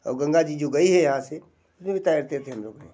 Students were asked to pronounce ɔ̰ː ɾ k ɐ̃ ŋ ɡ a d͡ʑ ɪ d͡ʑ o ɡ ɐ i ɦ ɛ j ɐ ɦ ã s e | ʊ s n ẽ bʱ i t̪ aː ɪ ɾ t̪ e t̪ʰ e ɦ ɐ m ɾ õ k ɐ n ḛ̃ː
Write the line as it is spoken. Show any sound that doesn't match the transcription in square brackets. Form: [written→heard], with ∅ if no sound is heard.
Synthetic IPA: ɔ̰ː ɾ [k→ɡ] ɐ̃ ŋ ɡ a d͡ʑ [ɪ→i] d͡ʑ o ɡ ɐ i ɦ ɛ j ɐ ɦ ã s e | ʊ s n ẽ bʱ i t̪ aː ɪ ɾ t̪ e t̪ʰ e ɦ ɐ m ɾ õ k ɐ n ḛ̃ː